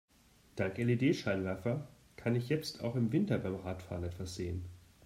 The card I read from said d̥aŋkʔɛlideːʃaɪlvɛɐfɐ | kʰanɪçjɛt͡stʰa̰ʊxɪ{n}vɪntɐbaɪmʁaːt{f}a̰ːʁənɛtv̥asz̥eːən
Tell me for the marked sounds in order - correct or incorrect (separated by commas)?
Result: incorrect, correct